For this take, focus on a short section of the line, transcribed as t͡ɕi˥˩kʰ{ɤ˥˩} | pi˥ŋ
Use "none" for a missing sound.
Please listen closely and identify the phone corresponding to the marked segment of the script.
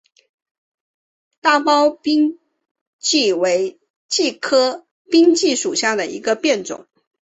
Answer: ɤ˥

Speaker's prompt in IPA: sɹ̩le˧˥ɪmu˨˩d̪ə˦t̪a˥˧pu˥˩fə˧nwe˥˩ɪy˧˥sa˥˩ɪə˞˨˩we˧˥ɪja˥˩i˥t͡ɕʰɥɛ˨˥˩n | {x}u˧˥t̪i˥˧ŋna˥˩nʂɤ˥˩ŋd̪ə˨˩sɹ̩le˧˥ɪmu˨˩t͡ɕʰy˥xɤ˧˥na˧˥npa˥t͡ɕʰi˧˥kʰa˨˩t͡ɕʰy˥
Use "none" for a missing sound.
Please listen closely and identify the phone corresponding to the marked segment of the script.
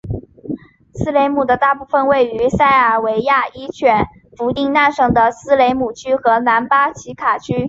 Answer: f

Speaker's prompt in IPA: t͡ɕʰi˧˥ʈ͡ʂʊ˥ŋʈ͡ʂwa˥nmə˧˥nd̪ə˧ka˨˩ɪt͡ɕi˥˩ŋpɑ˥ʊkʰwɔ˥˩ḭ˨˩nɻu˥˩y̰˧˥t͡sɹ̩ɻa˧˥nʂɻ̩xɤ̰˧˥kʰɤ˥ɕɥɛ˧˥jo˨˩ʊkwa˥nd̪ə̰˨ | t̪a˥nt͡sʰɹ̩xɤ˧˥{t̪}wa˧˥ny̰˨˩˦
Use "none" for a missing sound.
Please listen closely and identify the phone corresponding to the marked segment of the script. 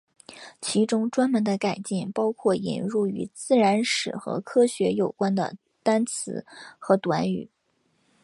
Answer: t̪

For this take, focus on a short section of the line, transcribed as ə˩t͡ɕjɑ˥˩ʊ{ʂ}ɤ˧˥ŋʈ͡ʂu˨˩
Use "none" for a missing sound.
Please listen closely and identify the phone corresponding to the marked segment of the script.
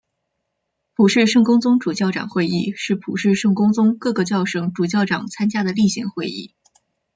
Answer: ʂ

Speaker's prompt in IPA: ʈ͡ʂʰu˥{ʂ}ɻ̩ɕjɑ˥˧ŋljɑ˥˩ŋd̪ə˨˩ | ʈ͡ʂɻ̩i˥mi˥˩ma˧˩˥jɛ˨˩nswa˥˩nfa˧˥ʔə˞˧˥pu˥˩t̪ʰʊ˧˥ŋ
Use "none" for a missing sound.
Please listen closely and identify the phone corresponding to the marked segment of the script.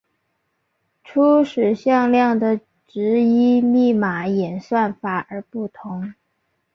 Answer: ʂ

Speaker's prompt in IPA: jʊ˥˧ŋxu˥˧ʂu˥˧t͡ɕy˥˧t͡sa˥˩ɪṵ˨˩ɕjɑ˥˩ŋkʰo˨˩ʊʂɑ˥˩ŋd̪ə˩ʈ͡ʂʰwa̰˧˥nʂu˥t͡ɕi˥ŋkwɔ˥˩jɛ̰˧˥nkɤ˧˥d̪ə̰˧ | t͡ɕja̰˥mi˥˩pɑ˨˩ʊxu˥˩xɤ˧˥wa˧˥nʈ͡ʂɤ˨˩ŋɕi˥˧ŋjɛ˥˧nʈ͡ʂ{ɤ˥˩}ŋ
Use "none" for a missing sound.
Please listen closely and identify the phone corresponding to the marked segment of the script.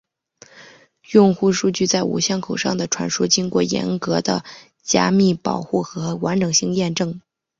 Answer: ɤ˥˩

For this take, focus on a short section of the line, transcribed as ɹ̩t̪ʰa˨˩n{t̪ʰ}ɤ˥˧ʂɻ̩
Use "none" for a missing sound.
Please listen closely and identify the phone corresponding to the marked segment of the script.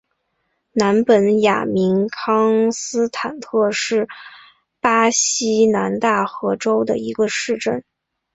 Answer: t̪ʰ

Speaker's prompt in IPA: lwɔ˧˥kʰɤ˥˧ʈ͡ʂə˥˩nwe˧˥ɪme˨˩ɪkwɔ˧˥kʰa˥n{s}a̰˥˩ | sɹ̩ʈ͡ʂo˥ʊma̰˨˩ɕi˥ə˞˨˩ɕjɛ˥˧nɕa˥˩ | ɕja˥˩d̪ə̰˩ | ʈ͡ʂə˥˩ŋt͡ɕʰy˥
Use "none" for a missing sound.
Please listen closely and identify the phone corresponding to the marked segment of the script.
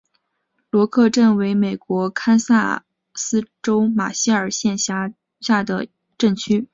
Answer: s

